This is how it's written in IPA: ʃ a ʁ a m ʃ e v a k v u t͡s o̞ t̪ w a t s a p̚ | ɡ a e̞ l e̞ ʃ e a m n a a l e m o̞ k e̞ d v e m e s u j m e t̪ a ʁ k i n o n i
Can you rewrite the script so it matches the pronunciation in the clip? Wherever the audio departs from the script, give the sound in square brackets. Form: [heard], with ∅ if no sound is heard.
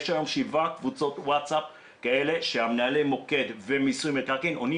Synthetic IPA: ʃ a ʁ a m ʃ [i] v a k v u t͡s o̞ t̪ w a t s a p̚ | [k] a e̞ l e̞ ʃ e a m n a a l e m o̞ k e̞ d v e m [i] s u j m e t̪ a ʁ k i n o n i